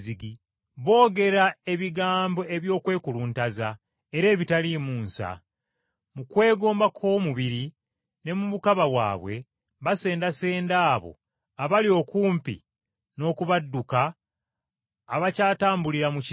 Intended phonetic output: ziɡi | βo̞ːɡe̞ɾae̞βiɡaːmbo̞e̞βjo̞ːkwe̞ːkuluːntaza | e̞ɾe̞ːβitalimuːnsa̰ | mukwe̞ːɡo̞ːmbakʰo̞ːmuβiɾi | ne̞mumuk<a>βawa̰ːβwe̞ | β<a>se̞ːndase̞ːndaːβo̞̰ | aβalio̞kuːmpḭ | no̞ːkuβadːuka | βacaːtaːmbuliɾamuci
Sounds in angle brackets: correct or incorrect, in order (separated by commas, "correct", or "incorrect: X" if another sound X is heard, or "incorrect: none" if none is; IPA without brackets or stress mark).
correct, correct